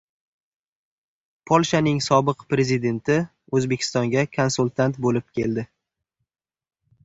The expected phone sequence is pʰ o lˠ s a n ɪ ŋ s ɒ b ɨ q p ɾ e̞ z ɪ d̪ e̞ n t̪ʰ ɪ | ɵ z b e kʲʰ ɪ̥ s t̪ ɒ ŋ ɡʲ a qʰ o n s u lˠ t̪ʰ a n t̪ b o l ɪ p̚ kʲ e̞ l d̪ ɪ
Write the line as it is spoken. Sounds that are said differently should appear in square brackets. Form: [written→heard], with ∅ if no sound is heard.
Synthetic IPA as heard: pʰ o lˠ [s→ʃ] a n ɪ ŋ s ɒ b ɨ q p ɾ e̞ z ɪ d̪ e̞ n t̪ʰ ɪ | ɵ z b e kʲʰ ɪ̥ s t̪ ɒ ŋ ɡʲ a [qʰ→kʰ] o n s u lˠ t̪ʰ a n t̪ b o l ɪ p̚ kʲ e̞ l d̪ ɪ